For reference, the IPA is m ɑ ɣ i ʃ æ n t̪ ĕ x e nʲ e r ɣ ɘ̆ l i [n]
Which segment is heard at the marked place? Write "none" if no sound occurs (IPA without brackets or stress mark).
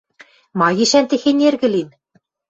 n